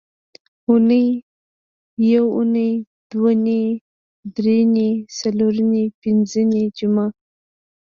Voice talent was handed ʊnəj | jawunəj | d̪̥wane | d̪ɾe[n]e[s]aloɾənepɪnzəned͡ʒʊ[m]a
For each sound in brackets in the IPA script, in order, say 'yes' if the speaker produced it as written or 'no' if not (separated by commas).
yes, yes, yes